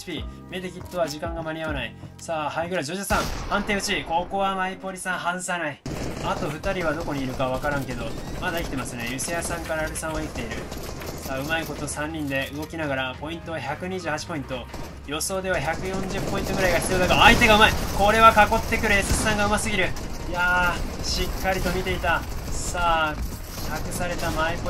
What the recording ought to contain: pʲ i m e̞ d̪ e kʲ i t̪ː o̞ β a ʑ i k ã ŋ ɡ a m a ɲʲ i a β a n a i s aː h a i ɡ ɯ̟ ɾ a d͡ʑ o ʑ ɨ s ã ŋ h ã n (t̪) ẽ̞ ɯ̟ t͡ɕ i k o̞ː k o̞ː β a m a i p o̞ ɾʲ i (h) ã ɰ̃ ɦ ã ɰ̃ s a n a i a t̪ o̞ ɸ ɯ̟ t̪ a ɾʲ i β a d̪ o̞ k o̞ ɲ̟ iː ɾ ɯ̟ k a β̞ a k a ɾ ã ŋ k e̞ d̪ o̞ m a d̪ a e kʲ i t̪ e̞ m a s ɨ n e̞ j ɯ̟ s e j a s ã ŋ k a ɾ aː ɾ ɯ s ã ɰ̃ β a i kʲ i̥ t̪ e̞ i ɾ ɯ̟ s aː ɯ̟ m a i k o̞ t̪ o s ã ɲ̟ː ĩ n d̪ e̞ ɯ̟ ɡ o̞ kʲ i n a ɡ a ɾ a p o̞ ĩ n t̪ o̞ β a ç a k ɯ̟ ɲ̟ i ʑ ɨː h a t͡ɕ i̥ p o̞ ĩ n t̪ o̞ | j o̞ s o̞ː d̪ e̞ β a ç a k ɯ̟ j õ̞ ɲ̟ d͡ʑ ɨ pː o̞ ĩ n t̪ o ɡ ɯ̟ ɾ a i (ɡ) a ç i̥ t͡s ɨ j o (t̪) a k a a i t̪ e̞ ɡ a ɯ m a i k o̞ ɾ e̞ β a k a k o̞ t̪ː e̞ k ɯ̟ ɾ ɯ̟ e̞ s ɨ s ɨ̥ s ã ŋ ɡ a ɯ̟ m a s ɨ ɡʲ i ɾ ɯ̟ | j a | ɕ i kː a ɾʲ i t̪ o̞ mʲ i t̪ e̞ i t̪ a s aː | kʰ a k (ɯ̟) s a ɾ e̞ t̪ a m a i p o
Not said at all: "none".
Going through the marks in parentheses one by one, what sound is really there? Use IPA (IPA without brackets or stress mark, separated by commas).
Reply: t̪, s, ɡ, d̪, ɯ̟